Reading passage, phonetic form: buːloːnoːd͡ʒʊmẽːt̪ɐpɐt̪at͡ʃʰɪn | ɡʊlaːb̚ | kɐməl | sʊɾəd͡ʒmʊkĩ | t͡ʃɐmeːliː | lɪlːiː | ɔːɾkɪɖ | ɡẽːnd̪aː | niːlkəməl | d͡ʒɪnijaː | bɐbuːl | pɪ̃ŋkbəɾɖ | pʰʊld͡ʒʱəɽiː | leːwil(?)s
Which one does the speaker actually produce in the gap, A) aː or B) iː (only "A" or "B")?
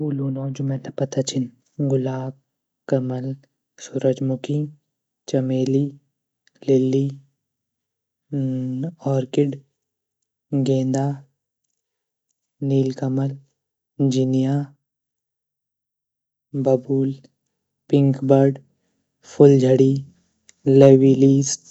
B